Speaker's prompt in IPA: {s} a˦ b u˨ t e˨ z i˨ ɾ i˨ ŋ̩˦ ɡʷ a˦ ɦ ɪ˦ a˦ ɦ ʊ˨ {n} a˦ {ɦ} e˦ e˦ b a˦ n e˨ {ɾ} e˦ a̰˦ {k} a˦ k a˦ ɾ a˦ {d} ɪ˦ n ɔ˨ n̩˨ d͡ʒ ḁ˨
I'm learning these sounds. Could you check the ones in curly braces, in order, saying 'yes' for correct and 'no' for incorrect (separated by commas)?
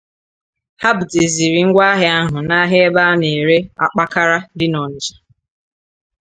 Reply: no, yes, yes, yes, no, yes